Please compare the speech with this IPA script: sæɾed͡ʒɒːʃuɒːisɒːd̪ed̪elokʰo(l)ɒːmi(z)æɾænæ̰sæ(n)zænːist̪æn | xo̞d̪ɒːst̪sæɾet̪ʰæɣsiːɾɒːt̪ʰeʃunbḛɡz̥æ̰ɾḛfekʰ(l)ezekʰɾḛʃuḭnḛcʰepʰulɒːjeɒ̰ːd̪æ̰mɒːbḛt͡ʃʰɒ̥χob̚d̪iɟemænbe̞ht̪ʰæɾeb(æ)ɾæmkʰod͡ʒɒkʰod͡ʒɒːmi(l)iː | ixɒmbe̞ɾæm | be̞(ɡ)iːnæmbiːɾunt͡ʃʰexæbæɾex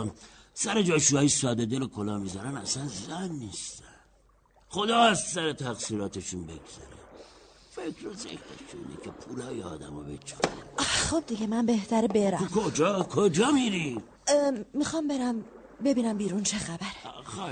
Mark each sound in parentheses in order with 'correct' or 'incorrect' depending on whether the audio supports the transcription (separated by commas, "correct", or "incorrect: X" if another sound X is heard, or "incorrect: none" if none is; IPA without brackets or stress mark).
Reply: correct, correct, correct, incorrect: ɾ, incorrect: e, incorrect: ɾ, incorrect: b